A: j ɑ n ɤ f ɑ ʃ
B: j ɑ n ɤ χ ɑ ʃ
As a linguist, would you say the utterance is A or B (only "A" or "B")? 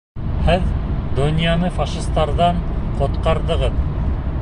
A